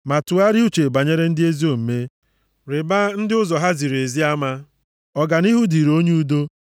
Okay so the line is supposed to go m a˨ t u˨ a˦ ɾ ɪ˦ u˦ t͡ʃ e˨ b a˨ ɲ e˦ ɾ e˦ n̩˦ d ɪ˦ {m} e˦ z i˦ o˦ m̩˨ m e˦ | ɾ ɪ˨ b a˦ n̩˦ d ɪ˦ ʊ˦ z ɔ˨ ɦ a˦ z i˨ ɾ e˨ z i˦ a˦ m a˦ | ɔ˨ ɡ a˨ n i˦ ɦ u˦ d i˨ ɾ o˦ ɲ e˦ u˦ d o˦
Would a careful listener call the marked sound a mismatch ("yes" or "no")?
yes